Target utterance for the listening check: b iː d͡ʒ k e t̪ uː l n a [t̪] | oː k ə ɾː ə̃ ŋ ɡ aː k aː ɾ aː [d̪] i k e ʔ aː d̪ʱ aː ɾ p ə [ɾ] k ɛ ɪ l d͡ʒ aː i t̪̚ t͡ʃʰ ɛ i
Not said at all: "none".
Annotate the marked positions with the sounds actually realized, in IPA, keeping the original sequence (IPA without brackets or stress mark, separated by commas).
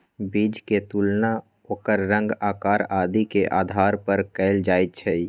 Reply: none, d̪, ɾ